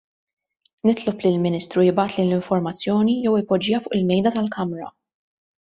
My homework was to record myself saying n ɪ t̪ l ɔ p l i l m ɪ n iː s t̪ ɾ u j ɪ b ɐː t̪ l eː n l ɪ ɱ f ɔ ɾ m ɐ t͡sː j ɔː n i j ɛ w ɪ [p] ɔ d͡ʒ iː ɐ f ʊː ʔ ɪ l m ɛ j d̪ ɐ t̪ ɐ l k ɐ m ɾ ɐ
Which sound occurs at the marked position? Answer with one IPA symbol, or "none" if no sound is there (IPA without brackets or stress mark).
p